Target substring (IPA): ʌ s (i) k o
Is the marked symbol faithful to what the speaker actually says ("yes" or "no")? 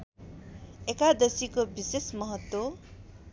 yes